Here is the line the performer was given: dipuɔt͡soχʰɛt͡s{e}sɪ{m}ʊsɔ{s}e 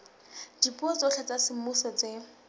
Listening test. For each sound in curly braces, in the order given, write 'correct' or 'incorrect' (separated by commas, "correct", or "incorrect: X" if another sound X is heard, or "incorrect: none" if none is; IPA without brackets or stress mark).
incorrect: a, correct, incorrect: t͡s